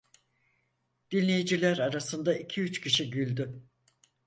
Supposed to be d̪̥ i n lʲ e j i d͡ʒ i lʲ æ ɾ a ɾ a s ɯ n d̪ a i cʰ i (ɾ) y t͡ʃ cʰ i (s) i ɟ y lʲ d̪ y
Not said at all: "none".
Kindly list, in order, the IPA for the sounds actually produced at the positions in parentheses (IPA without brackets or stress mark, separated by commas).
none, ʃ